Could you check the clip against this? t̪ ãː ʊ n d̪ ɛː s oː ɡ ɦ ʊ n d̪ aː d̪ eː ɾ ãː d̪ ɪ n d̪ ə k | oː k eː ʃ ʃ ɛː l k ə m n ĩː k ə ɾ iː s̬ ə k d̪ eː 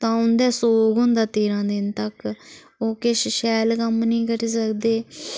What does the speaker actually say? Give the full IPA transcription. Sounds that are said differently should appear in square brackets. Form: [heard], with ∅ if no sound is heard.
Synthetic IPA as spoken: t̪ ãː ʊ n d̪ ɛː s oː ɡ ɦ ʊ n d̪ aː [t̪] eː ɾ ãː d̪ ɪ n [t̪] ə k | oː k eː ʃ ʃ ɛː l k ə m n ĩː k ə ɾ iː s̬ ə k d̪ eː